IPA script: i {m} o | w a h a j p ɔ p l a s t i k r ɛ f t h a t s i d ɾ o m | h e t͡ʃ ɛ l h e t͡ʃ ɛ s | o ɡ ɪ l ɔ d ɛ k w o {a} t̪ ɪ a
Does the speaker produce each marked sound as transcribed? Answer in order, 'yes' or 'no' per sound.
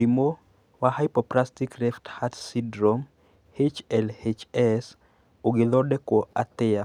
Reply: yes, yes

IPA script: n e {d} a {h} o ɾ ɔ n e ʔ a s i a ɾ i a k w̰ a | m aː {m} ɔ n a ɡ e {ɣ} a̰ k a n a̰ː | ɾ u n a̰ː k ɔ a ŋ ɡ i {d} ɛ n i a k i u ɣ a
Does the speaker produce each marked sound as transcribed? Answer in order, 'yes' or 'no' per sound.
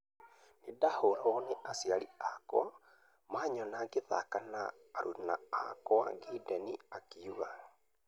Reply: yes, yes, no, no, yes

